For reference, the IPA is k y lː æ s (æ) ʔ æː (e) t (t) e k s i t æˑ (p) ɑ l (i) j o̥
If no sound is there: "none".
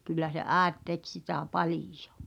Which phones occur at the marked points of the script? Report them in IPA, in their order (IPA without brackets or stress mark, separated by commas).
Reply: e, e, t, p, i